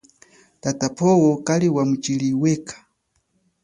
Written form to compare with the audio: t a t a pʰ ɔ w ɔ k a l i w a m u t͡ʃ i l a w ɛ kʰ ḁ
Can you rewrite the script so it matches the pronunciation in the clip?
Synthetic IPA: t a t a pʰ ɔ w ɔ k a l i w a m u t͡ʃ i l i w ɛ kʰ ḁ